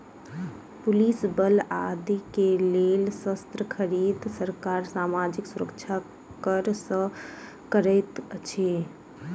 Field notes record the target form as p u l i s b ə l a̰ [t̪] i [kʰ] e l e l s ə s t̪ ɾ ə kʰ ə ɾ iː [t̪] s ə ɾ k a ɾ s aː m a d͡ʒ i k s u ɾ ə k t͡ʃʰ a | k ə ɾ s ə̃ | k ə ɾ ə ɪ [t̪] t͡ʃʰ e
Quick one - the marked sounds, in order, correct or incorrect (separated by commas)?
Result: incorrect, incorrect, incorrect, correct